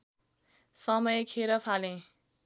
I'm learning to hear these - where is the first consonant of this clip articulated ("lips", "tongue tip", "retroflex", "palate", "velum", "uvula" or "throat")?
tongue tip